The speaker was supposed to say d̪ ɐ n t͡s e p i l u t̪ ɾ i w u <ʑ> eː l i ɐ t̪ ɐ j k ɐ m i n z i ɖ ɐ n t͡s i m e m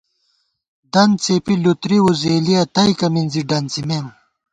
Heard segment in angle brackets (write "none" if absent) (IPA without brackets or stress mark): z